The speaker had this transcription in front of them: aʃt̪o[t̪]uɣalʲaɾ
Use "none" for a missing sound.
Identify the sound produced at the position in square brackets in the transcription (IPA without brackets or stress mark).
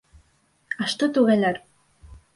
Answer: t̪